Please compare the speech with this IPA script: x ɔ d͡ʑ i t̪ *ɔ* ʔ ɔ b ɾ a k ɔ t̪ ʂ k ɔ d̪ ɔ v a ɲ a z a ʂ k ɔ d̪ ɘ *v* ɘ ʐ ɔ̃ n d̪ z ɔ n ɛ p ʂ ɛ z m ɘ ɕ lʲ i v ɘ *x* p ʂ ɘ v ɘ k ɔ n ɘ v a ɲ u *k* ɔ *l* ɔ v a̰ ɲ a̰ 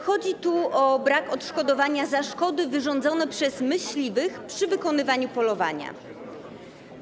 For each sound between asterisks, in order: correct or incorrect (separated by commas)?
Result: incorrect, correct, correct, incorrect, correct